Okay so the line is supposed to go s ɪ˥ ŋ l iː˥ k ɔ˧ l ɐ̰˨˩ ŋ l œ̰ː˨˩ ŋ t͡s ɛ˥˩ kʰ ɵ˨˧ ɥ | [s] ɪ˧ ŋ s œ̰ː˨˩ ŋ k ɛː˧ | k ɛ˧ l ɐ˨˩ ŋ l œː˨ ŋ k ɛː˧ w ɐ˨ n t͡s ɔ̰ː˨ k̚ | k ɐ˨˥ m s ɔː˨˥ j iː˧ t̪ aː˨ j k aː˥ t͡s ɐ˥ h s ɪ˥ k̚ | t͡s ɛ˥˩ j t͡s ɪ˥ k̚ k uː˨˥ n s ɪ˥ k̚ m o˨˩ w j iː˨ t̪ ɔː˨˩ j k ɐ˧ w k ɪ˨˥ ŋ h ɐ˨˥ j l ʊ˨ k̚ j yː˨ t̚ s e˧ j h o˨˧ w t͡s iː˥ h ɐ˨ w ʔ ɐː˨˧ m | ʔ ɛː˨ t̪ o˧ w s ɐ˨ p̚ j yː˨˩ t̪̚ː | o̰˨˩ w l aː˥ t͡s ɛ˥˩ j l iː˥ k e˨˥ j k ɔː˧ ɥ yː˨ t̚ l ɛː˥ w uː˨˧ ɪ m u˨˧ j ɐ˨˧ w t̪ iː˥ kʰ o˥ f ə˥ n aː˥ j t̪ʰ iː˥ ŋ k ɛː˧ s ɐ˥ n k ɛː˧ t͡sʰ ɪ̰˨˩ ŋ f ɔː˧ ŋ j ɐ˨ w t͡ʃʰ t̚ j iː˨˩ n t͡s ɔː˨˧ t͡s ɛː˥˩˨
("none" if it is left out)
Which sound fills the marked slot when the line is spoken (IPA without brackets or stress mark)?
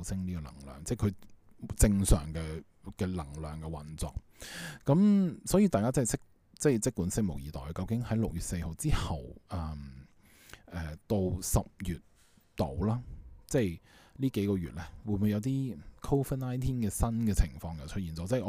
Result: t͡s